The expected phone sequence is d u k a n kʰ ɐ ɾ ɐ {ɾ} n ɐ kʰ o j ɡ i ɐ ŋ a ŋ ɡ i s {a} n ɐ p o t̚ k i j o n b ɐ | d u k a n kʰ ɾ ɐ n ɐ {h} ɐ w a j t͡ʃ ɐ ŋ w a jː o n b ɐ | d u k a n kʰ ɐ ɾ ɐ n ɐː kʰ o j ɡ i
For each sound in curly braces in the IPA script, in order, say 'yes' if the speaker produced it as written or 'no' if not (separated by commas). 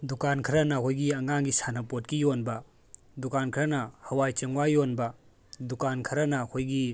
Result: no, yes, yes